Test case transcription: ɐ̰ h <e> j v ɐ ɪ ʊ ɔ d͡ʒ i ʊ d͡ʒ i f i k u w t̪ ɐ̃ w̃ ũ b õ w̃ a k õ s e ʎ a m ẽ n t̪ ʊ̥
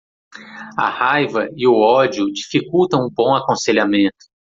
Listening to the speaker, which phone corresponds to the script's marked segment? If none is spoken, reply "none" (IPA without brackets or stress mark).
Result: a